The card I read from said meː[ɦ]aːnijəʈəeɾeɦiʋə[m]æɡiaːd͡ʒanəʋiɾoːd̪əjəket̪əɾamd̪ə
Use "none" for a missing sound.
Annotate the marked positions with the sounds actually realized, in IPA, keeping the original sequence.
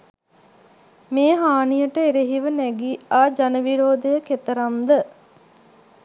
ɦ, n

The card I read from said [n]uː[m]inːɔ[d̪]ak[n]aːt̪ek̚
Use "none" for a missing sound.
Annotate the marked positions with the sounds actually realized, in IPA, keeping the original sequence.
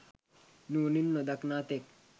n, n, d̪, n

